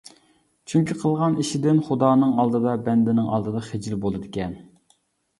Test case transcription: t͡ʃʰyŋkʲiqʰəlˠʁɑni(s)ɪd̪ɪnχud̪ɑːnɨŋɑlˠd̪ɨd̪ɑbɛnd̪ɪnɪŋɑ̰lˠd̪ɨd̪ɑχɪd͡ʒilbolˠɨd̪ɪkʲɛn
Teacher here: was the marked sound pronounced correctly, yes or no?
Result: no